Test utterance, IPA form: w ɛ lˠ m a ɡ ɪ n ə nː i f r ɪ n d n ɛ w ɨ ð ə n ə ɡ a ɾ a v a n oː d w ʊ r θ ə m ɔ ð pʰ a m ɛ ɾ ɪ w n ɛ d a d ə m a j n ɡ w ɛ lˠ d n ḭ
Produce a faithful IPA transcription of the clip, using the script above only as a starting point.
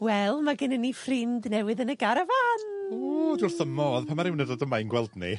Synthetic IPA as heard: w ɛ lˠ m a ɡ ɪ n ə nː i f r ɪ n d n ɛ w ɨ ð ə n ə ɡ a ɾ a v a n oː d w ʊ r θ ə m ɔ ð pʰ a m a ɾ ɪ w n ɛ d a d ə m a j n ɡ w ɛ lˠ d n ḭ